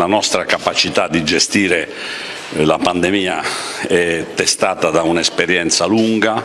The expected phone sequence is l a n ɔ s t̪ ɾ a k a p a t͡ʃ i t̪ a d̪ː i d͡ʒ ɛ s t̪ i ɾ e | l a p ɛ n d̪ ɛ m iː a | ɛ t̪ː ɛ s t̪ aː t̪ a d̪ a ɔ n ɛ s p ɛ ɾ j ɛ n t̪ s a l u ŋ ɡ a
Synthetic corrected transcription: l a n ɔ s t̪ ɾ a k a p a t͡ʃ i t̪ a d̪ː i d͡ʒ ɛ s t̪ iː ɾ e | l a p a n d̪ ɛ m iː a | ɛ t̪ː ɛ s t̪ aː t̪ a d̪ a u n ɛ s p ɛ ɾ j ɛ n t̪ s a l u ŋ ɡ a